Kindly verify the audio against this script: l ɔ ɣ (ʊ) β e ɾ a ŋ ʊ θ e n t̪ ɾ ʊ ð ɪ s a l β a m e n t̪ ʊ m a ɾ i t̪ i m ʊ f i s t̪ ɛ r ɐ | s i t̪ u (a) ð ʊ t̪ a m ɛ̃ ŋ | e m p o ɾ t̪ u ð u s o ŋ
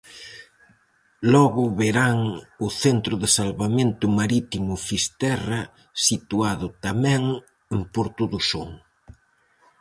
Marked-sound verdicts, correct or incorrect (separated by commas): correct, correct